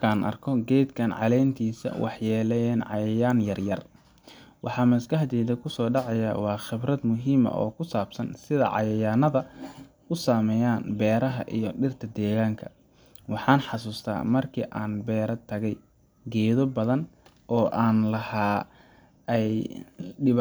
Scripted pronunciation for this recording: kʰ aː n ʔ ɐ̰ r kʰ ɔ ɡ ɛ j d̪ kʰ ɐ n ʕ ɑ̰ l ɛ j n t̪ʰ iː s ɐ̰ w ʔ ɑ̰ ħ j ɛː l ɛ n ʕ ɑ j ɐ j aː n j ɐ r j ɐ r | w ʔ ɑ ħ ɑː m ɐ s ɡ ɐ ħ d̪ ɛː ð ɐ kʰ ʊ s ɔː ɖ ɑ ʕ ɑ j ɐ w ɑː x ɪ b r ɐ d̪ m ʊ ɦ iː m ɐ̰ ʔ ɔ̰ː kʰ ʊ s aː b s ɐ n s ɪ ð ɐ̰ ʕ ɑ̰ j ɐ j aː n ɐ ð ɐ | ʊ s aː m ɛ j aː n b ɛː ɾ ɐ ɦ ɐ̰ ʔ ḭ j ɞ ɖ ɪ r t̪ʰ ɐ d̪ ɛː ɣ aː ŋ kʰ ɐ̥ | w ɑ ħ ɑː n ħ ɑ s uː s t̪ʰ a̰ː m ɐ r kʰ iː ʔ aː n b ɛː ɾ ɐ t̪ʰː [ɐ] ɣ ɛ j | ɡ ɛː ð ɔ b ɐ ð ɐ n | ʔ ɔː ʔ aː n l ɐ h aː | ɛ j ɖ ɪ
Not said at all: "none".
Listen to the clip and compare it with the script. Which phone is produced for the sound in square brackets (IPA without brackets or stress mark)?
ɐ